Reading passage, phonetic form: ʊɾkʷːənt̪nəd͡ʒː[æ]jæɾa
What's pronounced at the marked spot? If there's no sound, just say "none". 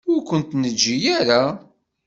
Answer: i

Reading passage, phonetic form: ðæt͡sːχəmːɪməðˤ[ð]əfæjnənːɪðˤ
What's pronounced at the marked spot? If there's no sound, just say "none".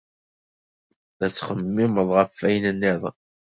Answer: ʁ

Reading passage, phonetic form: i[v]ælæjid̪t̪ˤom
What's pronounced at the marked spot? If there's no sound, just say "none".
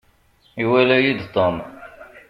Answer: w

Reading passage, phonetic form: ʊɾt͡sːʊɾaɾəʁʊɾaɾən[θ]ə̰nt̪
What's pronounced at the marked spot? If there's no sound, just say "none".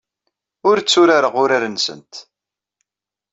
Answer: s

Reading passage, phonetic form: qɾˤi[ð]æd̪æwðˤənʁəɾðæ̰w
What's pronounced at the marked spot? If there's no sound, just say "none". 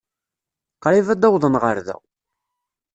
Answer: v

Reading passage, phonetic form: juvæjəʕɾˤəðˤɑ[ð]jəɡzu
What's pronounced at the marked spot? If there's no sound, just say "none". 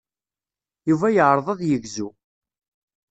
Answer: ð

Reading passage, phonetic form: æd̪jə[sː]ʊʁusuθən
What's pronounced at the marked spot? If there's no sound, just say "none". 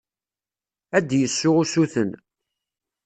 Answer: sː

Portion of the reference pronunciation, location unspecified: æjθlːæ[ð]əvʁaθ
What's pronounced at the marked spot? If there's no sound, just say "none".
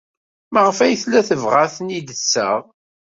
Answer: θ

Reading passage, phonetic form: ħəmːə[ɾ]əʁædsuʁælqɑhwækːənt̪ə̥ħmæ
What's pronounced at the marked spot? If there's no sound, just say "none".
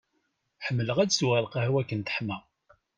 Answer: l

